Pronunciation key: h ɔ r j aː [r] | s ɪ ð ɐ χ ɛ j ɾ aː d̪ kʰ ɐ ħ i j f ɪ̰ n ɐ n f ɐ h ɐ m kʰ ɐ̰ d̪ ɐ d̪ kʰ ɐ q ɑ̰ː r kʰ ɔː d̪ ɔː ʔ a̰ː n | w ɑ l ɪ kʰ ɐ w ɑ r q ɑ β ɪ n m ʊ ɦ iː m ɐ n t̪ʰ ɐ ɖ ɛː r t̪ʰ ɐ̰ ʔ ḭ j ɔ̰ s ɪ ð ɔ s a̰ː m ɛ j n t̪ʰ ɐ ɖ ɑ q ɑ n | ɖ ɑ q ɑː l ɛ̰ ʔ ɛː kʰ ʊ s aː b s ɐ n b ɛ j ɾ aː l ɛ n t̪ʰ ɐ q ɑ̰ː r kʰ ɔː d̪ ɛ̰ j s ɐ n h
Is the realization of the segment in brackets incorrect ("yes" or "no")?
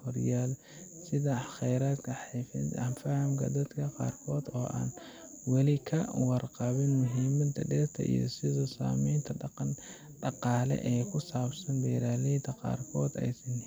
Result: yes